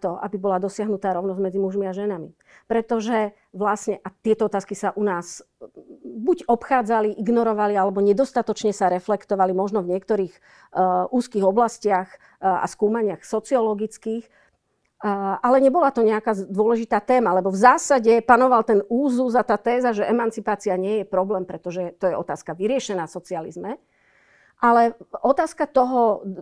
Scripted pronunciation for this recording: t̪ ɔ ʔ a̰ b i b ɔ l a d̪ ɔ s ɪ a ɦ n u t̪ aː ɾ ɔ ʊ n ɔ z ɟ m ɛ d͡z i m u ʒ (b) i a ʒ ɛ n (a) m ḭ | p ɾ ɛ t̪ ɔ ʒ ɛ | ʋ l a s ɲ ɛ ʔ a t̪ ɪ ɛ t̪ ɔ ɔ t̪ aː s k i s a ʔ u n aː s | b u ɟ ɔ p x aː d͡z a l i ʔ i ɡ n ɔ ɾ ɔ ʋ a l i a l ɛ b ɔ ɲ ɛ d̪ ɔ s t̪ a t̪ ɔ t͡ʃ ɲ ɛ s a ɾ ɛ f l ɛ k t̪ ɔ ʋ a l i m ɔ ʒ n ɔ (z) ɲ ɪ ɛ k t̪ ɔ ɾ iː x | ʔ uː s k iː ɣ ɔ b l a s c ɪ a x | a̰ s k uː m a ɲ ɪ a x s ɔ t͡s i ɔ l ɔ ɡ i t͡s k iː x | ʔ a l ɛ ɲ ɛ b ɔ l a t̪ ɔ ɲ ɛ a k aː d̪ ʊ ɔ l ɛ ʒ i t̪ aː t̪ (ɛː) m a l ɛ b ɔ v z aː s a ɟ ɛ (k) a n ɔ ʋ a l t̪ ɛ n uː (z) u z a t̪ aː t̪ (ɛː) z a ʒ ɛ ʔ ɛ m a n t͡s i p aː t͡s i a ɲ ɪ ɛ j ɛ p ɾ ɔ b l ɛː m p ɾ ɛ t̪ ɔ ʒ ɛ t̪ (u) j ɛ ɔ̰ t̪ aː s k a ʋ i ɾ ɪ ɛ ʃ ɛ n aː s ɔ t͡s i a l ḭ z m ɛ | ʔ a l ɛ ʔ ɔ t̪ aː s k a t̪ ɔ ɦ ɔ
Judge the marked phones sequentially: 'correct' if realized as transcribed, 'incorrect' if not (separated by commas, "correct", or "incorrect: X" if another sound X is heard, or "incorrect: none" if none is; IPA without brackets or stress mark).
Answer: incorrect: m, correct, incorrect: v, correct, incorrect: p, correct, correct, incorrect: ɔ